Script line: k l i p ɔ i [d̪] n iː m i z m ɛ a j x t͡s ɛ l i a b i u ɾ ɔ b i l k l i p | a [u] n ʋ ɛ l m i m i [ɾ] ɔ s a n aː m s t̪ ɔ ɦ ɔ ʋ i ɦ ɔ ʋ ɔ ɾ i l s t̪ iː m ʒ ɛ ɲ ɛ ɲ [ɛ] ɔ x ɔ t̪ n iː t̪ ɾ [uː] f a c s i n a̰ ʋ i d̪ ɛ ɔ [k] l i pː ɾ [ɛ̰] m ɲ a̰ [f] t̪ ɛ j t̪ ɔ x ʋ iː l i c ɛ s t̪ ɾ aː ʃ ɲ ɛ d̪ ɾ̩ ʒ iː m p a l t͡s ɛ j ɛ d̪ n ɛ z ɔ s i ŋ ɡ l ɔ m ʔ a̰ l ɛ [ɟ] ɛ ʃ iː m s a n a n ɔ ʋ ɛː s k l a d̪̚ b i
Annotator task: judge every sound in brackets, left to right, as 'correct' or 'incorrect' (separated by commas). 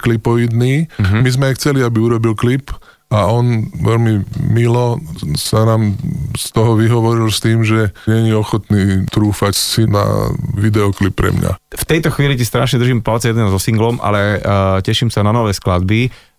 correct, incorrect, incorrect, incorrect, correct, correct, correct, correct, incorrect